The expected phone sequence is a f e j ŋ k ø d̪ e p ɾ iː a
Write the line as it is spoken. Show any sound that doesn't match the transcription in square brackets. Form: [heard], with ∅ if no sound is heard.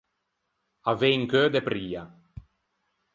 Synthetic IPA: a [v] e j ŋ k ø d̪ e p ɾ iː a